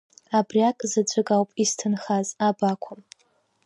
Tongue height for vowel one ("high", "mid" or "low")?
low